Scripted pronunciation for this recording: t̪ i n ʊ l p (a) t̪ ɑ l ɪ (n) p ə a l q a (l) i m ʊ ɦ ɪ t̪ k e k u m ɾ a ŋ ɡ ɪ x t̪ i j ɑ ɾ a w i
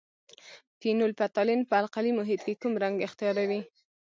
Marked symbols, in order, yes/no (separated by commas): yes, yes, yes